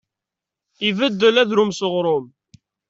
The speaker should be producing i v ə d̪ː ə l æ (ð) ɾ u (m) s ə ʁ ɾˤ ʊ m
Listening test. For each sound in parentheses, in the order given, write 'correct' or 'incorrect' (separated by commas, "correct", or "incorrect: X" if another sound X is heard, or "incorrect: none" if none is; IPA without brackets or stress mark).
correct, correct